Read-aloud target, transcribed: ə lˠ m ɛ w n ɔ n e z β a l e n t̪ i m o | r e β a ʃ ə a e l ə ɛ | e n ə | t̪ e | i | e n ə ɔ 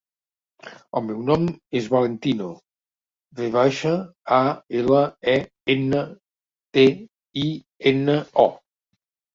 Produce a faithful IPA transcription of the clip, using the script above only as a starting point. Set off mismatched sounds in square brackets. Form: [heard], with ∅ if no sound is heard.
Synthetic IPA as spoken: ə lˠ m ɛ w n ɔ [m] e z β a l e n t̪ i [n] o | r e β a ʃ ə a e l ə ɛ | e n ə | t̪ e | i | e n ə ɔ